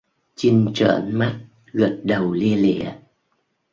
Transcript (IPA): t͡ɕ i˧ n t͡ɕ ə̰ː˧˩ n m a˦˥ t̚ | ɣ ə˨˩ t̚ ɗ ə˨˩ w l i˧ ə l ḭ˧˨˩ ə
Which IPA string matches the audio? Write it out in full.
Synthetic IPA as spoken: t͡ɕ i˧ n t͡ɕ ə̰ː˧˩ n m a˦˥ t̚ | ɣ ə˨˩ t̚ ɗ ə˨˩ w l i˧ ə l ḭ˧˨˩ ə